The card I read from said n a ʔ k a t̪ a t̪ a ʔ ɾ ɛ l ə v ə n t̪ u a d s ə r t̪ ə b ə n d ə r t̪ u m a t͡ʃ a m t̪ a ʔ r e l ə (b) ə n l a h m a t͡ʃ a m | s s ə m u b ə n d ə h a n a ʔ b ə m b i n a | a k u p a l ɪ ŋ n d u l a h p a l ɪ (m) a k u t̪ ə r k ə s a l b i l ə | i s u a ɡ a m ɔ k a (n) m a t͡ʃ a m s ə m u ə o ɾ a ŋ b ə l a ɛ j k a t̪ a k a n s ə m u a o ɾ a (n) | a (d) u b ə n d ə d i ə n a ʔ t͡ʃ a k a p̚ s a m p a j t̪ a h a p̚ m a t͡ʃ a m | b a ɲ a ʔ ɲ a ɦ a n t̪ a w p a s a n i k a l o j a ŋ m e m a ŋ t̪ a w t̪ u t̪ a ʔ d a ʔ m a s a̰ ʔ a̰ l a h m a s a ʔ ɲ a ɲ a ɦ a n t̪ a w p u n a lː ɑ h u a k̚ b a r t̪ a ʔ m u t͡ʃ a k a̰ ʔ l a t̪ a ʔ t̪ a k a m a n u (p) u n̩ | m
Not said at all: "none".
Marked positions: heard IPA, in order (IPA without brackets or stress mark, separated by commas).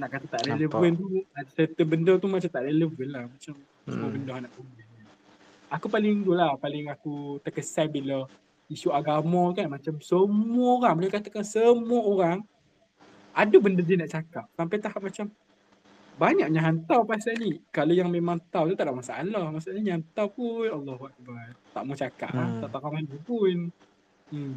v, ŋ, n, ŋ, d, p